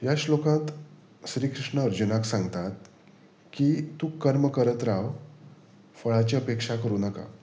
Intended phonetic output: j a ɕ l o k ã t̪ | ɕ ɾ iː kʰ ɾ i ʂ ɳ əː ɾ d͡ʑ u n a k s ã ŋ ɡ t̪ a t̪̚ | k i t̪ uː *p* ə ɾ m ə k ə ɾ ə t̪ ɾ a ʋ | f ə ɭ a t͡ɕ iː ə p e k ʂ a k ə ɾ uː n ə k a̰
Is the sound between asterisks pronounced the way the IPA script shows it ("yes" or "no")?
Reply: no